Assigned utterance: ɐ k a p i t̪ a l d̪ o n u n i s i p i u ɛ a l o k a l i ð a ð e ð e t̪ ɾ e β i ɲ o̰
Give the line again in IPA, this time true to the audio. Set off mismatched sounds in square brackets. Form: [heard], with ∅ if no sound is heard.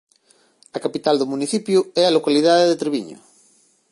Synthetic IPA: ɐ k a p i t̪ a l d̪ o [m] u n i [θ] i p [j] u ɛ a l o k a l i ð a ð e ð e t̪ ɾ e β i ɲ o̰